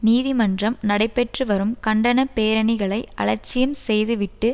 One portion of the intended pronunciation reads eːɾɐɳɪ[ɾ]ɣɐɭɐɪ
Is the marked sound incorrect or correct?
incorrect